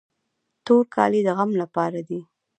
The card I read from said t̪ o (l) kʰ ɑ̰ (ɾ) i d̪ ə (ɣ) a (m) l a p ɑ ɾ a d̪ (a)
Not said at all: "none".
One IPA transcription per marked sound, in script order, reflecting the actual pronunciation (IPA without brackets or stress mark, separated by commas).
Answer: ɾ, l, ɣ, m, i